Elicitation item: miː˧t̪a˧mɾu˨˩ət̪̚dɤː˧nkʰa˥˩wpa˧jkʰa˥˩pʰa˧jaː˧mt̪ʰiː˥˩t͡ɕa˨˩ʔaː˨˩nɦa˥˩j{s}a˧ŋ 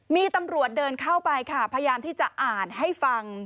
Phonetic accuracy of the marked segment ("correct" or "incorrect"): incorrect